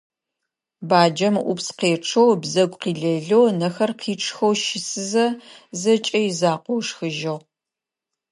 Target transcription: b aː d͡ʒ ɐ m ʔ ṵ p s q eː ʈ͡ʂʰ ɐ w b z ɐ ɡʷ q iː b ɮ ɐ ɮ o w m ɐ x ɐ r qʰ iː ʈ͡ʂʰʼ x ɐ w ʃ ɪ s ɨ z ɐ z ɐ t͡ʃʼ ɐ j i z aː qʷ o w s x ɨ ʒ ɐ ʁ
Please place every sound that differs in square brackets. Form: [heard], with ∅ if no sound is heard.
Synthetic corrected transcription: b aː d͡ʒ ɐ m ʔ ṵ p s q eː ʈ͡ʂʰ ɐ w b z ɐ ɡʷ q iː [∅] ɮ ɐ ɮ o w [n] ɐ x ɐ r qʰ iː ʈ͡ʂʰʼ x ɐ w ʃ ɪ s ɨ z ɐ z ɐ t͡ʃʼ ɐ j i z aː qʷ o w [ʂ] x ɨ ʒ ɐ ʁ